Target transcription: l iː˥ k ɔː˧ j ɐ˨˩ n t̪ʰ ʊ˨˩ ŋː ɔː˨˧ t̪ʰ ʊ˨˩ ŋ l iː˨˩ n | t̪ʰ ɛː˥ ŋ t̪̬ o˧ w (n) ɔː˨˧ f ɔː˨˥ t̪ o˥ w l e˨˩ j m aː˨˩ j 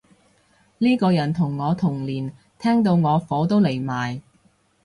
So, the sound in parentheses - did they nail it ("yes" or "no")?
no